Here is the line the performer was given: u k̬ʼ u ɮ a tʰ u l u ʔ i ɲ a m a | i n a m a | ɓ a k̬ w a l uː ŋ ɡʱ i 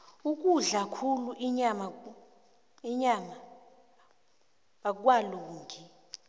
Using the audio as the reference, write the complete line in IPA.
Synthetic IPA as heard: u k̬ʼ u ɮ a kʰ u l u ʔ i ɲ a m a | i ɲ a m a | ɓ a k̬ w a l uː ŋ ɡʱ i